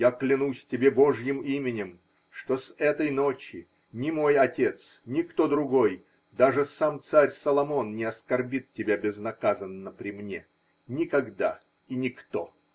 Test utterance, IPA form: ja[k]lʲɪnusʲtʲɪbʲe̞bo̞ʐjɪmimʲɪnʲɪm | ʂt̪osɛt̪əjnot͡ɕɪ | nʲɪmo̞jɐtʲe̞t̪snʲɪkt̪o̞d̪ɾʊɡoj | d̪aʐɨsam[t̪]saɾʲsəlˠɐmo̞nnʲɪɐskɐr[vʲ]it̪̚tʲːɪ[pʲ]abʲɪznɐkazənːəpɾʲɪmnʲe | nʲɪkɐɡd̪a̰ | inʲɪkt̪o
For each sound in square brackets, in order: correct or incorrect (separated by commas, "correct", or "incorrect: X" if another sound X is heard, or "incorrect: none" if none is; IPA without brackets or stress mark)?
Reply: correct, correct, incorrect: bʲ, incorrect: bʲ